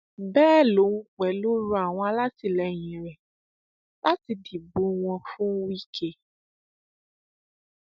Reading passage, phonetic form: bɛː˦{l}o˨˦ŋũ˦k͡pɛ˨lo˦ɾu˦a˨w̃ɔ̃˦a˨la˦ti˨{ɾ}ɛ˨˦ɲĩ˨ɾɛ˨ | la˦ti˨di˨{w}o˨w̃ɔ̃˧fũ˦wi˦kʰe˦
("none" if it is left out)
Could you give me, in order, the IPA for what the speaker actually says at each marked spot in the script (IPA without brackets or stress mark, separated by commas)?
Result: l, l, b